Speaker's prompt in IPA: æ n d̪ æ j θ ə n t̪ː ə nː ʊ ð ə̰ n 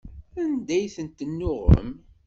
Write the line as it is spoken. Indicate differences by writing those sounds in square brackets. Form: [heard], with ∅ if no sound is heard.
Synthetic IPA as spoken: æ n d̪ æ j θ ə n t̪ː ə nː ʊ [ʁ] ə̰ [m]